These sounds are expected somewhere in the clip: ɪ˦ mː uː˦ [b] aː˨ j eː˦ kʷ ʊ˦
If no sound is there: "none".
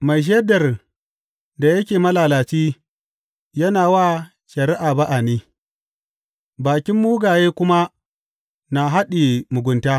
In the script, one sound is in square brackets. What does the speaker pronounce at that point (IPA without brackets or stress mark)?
ɡ